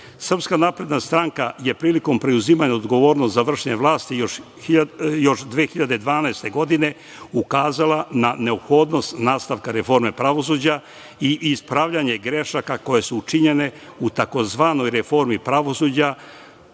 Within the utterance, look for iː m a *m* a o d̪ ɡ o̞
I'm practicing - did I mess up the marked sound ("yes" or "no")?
yes